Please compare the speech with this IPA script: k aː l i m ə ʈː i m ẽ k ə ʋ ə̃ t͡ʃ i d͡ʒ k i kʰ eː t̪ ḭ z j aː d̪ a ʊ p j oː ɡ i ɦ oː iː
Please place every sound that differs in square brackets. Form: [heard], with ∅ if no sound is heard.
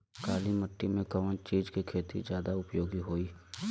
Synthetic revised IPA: k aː l i m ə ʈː i m ẽ k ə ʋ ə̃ t͡ʃ [iː] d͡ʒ k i kʰ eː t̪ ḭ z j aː d̪ a ʊ p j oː ɡ i ɦ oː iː